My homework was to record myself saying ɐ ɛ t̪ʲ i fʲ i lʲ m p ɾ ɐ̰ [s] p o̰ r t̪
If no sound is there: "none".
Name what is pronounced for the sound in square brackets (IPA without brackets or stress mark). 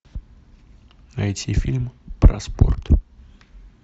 s